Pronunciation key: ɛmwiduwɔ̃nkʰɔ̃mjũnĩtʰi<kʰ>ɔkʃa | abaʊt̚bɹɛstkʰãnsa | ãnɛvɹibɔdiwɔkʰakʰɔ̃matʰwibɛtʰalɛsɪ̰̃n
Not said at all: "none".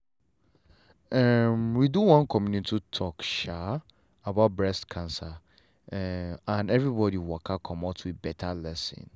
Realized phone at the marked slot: tʰ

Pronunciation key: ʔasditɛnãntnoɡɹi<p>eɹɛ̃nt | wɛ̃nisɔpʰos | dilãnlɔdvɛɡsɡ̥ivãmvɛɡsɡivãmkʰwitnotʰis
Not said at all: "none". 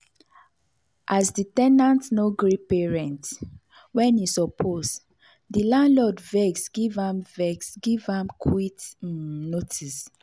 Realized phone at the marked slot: p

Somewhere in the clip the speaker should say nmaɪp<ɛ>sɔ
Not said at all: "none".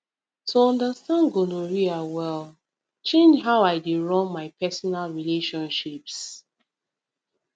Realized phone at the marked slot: ɛ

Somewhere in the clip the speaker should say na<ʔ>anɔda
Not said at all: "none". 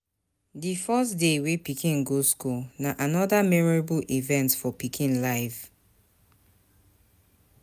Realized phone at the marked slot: ʔ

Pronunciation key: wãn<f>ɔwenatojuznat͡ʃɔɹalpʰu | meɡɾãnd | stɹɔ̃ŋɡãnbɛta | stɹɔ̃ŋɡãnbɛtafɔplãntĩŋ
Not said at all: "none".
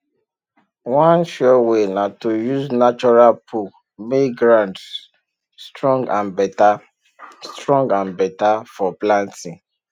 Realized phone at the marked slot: ʃ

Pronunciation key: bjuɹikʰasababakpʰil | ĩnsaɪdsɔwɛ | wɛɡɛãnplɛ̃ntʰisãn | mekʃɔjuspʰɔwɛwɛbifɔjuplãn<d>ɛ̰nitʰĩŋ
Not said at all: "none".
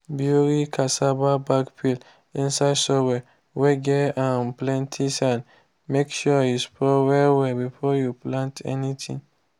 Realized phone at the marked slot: t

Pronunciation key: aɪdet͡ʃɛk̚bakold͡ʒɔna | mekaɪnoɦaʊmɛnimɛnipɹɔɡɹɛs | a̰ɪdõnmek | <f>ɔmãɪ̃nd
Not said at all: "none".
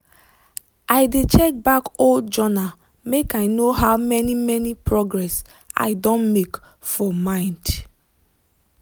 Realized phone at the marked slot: f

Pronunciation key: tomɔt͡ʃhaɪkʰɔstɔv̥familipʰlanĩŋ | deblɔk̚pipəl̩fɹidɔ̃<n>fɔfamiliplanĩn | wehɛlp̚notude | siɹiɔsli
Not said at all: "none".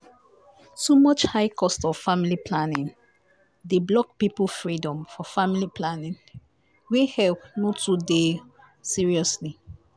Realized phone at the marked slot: m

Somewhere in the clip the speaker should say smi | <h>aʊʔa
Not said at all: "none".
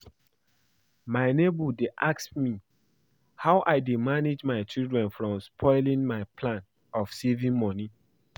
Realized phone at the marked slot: h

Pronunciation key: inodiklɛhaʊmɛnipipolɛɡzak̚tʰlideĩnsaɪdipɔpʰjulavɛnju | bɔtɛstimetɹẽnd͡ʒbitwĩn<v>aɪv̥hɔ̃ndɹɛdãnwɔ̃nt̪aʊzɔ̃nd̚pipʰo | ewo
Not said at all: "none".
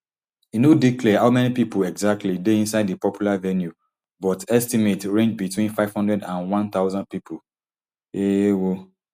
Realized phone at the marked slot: f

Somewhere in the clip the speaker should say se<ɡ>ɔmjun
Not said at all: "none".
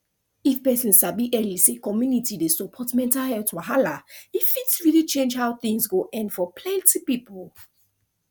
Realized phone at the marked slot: k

